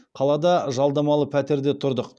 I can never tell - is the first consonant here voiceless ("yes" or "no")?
yes